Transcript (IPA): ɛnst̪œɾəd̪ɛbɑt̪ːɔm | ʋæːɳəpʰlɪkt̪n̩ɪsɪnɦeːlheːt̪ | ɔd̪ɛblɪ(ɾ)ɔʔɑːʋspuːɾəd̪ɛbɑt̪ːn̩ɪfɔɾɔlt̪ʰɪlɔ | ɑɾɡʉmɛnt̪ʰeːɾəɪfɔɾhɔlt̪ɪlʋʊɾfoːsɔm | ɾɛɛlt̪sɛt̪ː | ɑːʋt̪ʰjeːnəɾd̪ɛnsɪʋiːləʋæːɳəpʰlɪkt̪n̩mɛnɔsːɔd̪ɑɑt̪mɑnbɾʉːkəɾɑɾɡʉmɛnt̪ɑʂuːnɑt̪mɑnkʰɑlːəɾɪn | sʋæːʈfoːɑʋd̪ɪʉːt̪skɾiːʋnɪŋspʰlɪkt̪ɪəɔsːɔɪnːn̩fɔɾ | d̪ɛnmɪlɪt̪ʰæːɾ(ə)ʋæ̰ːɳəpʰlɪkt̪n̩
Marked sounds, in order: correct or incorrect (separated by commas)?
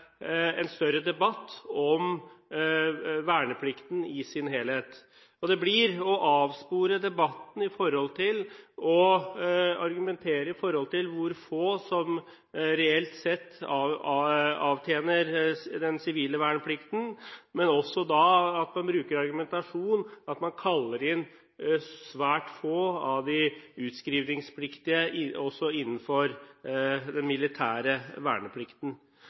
correct, correct